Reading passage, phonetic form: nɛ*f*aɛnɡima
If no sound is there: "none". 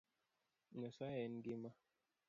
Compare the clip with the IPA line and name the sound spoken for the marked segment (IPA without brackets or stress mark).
s